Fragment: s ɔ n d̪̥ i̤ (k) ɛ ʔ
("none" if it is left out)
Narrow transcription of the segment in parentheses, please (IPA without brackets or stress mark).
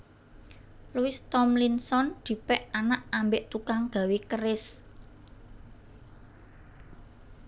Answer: p